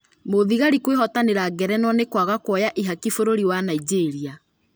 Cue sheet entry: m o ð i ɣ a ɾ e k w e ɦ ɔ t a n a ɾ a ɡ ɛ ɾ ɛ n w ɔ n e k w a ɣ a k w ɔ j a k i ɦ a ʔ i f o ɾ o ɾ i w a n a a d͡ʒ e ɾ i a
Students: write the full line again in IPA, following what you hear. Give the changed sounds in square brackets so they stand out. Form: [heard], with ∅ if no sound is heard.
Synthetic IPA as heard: m o ð i ɣ a ɾ [i] k w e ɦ ɔ t a n [e] ɾ a ɡ ɛ ɾ ɛ n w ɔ n e k w a ɣ a k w ɔ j a [ʔ] i ɦ a [k] i f o ɾ o ɾ i w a n a [i] d͡ʒ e ɾ i a